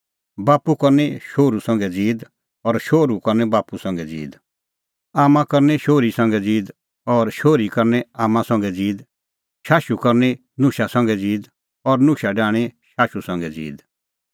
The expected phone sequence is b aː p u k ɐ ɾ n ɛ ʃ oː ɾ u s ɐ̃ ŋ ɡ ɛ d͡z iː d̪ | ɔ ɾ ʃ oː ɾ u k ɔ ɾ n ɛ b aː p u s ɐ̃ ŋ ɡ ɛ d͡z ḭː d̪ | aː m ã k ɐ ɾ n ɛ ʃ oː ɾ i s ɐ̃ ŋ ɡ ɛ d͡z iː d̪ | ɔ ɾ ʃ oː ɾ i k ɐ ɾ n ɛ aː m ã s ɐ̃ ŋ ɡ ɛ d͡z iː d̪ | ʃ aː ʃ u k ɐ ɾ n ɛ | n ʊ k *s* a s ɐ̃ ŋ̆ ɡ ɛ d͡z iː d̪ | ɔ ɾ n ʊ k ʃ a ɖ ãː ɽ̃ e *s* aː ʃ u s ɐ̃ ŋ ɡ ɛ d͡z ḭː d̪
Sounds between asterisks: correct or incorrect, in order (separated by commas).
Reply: incorrect, incorrect